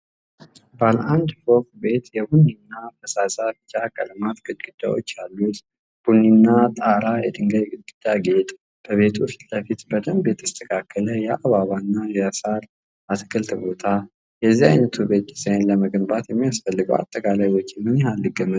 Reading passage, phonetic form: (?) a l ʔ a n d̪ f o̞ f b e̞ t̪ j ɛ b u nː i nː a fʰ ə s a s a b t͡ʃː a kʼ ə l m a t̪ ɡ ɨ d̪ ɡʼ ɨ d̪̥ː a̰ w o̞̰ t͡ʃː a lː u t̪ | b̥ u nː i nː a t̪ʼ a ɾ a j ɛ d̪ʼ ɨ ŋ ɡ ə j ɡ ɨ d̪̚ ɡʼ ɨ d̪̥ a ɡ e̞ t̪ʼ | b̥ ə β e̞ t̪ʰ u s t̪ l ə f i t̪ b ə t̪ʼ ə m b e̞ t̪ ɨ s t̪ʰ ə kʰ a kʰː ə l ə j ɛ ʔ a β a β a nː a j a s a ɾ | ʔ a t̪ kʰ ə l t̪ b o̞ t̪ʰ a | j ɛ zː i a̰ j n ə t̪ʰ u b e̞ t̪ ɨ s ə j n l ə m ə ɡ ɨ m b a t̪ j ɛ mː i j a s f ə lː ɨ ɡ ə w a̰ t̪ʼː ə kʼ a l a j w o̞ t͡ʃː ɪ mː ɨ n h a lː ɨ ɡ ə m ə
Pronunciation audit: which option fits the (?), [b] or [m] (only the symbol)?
b